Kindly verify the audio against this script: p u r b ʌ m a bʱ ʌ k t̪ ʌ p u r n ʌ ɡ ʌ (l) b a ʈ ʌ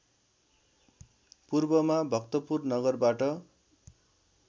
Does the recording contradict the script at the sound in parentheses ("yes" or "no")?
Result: yes